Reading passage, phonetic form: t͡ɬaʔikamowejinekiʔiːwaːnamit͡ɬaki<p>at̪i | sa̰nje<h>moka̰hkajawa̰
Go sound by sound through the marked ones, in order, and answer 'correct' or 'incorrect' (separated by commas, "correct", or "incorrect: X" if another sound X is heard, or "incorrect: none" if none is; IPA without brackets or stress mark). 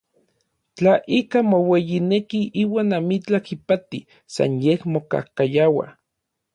correct, correct